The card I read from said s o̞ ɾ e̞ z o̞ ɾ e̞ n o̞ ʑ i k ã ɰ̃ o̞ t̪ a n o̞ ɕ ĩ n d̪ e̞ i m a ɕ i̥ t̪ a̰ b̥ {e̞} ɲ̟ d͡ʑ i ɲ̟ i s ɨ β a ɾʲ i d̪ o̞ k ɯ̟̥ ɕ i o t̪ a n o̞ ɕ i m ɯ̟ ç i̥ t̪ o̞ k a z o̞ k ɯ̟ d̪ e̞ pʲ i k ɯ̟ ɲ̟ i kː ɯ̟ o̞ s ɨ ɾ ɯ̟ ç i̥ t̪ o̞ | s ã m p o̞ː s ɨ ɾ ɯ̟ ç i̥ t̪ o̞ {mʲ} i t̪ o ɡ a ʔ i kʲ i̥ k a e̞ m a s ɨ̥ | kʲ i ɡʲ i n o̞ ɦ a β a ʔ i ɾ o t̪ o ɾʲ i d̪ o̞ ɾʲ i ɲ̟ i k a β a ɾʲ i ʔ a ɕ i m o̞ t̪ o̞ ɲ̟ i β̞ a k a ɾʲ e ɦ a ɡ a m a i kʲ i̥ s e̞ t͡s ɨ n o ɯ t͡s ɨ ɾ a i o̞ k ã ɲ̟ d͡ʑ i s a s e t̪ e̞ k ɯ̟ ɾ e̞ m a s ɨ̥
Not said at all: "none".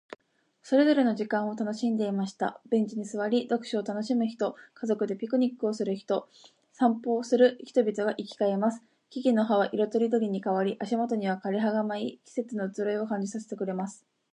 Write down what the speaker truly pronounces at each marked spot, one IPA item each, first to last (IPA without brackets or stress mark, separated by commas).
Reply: ẽ̞, bʲ